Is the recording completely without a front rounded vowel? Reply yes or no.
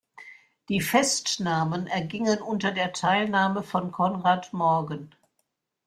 yes